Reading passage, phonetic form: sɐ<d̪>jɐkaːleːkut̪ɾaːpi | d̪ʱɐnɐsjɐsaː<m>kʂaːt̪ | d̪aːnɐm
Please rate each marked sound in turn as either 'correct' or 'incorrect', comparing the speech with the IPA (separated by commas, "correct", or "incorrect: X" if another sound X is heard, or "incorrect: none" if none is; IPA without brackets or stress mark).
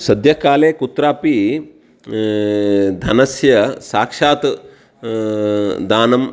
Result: correct, incorrect: none